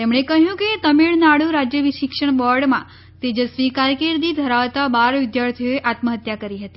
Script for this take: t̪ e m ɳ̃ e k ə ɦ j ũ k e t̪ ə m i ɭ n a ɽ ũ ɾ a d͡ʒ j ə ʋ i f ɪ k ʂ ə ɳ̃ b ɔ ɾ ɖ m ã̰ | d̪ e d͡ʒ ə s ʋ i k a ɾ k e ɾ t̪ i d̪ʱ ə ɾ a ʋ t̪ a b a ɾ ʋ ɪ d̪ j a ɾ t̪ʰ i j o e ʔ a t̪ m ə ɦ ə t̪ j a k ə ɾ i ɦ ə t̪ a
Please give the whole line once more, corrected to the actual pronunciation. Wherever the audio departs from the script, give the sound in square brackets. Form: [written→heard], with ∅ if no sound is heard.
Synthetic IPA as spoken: t̪ e m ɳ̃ e k ə ɦ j ũ k e t̪ ə m i ɭ n a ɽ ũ ɾ a d͡ʒ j ə ʋ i [f→ʃ] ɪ k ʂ ə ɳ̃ b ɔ ɾ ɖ m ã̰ | [d̪→t̪] e d͡ʒ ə s ʋ i k a ɾ k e ɾ [t̪→d̪] i d̪ʱ ə ɾ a ʋ t̪ a b a ɾ ʋ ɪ d̪ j a ɾ t̪ʰ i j o e ʔ a t̪ m ə ɦ ə t̪ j a k ə ɾ i ɦ ə t̪ [a→i]